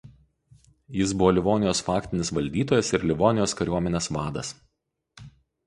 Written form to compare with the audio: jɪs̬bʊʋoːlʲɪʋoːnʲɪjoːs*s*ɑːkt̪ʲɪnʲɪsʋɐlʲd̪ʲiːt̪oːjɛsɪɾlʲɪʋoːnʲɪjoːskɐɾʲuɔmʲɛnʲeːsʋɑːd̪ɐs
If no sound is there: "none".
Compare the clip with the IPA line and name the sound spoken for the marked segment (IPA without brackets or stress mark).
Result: f